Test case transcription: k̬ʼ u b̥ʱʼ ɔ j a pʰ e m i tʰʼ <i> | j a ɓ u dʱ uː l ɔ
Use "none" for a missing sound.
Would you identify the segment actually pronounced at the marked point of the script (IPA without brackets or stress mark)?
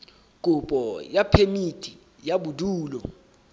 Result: i